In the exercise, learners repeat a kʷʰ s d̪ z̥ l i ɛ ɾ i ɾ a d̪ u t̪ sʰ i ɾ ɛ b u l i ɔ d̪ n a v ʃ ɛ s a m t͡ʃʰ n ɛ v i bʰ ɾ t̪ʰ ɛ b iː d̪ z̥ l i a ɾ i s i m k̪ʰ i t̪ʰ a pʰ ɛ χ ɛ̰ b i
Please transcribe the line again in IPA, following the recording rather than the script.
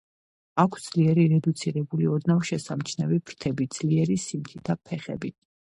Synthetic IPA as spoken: a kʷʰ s d̪ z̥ l i ɛ ɾ i ɾ ɛ d̪ u t̪ sʰ i ɾ ɛ b u l i ɔ d̪ n a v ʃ ɛ s a m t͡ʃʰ n ɛ v i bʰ ɾ t̪ʰ ɛ b i d̪ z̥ l i ɛ ɾ i s i m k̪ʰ i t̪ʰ a pʰ ɛ χ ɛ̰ b i